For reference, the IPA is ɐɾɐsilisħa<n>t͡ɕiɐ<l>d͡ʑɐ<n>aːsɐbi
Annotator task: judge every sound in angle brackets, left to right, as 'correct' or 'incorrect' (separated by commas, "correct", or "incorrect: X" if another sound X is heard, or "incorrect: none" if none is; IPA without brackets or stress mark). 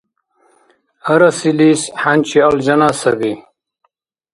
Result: correct, correct, correct